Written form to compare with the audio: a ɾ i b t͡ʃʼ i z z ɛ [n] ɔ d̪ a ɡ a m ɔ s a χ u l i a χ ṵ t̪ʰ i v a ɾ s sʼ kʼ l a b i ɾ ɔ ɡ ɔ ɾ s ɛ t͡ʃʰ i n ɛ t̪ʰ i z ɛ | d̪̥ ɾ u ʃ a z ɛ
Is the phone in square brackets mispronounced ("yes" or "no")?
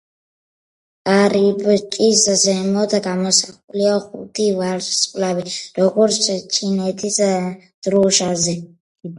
yes